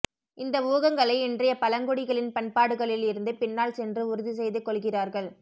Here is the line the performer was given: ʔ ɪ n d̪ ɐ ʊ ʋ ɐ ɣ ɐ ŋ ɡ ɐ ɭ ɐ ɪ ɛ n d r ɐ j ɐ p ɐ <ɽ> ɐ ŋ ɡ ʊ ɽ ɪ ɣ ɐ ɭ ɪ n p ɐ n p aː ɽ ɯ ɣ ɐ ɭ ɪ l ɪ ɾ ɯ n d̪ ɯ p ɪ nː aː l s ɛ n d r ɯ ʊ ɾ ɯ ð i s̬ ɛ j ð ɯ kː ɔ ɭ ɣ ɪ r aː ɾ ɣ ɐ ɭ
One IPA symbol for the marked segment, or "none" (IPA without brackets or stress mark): l